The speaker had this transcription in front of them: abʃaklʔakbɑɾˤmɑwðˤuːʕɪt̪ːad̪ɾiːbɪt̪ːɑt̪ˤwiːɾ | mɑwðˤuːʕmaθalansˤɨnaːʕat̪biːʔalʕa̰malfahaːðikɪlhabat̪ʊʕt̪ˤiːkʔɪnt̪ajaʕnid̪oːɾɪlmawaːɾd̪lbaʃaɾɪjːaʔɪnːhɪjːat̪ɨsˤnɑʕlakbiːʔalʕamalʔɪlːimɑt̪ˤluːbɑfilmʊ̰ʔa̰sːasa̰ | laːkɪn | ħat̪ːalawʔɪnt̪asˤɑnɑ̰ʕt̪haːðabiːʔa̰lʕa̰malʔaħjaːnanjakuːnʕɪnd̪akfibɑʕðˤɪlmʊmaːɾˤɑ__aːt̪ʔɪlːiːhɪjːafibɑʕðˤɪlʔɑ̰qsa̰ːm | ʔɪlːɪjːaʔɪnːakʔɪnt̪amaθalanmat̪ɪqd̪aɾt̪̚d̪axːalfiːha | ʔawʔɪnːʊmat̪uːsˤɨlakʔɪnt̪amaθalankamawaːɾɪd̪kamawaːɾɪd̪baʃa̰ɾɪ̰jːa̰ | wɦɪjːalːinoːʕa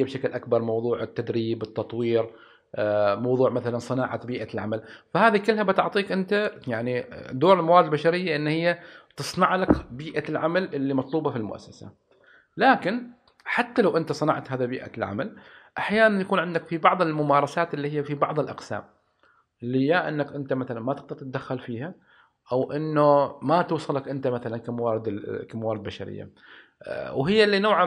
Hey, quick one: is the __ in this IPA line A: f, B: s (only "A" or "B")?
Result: B